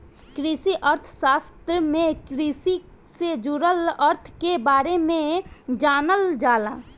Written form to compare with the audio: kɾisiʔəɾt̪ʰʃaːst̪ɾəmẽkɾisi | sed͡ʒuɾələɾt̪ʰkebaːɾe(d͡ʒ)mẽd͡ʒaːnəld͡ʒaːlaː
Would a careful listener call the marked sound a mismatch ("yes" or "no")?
yes